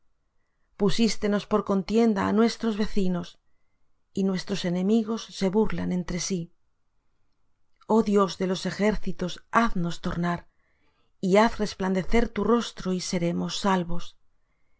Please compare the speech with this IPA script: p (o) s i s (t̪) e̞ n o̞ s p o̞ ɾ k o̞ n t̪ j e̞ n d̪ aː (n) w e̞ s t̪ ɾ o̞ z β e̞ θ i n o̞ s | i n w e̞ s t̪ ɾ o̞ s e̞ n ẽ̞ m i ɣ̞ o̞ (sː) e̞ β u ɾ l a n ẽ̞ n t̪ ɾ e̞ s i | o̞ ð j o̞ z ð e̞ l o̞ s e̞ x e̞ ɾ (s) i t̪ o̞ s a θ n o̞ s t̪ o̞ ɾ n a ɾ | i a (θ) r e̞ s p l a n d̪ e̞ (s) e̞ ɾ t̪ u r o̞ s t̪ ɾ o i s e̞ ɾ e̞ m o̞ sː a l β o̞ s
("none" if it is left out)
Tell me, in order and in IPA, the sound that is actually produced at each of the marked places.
u, t̪, n, sː, θ, θ, θ

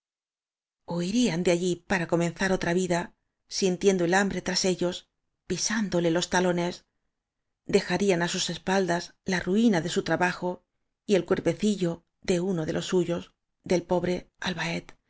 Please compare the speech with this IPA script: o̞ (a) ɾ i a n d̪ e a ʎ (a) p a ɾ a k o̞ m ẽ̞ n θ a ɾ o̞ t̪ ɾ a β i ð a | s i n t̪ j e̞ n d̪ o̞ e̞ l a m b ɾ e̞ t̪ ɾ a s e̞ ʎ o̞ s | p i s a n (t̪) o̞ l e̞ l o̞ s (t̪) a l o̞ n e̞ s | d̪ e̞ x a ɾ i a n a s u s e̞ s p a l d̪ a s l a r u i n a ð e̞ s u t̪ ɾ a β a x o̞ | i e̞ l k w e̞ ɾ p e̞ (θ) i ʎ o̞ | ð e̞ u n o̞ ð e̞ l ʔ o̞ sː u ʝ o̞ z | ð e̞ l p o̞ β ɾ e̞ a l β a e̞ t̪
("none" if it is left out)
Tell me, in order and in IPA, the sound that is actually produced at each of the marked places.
i, i, d̪, t̪, θ

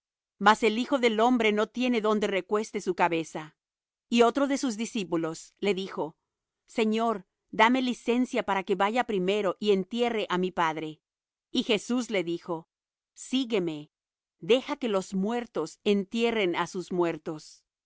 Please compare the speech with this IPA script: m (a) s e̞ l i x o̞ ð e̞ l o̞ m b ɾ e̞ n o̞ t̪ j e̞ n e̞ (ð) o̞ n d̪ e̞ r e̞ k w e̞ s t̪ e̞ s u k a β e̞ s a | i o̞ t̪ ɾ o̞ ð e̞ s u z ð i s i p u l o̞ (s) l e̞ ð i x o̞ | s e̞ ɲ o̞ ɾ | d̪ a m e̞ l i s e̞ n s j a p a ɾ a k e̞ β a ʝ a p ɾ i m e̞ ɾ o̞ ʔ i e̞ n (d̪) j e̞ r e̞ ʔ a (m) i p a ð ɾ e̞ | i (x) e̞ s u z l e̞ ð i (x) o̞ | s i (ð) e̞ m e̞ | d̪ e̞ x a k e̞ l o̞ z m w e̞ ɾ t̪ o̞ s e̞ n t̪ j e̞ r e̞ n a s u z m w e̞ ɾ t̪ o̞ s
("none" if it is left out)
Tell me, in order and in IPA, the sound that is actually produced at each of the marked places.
a, ð, s, t̪, m, x, x, ɣ

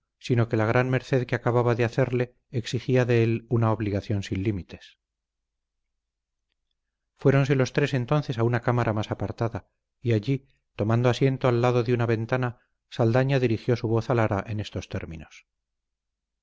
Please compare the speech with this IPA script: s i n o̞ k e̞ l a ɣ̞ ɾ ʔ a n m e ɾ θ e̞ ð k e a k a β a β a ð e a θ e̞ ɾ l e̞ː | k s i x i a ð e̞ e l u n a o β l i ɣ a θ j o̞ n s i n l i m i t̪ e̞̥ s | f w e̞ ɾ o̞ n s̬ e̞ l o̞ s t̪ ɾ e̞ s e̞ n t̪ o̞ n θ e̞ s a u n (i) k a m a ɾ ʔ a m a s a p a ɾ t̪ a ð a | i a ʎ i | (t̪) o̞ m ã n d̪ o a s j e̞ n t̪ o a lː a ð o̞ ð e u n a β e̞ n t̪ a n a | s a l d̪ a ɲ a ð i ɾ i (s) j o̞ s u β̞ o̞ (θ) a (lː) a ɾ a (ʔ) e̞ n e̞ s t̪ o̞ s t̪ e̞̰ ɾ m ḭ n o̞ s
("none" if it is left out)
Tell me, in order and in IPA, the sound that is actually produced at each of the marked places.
a, t̪, x, θ, l, ʔ

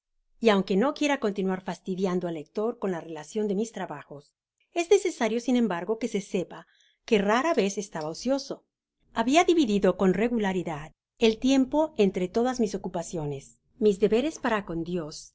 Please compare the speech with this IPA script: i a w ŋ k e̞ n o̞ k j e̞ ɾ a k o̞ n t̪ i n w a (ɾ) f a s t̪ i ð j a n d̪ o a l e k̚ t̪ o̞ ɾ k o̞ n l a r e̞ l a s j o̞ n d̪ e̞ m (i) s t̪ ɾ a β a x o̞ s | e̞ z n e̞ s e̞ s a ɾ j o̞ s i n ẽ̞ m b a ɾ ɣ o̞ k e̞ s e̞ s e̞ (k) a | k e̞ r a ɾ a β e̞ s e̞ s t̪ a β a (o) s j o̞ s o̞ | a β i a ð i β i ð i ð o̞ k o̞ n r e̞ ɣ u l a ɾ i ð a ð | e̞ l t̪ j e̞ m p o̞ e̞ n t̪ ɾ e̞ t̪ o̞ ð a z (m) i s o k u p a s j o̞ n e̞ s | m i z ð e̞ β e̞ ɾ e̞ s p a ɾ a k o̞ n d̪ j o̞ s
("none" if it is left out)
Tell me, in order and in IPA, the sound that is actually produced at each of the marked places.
ɾ, i, p, o, m

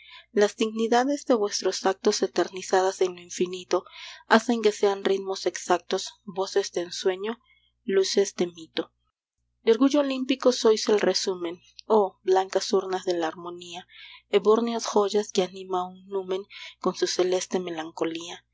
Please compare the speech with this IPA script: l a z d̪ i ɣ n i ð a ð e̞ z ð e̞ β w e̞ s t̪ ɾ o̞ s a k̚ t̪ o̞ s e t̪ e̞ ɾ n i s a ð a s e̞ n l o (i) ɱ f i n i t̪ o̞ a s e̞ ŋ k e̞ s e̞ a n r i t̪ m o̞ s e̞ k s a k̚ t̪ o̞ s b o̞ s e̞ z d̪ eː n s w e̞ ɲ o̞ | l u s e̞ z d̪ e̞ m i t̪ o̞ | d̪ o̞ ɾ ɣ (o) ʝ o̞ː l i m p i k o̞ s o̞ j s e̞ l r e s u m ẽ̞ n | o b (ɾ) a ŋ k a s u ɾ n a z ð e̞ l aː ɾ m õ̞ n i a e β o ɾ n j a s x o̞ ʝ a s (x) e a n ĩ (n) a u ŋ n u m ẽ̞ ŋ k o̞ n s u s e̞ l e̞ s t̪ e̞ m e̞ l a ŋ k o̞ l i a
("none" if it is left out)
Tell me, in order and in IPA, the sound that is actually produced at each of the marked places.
i, u, l, k, m

